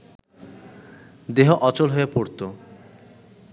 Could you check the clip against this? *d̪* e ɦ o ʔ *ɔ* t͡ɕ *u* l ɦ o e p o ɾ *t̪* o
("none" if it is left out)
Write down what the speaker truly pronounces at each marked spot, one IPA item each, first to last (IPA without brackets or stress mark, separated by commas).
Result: d̪, ɔ, o, t̪